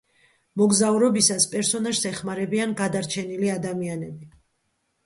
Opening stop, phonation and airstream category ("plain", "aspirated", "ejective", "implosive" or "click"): plain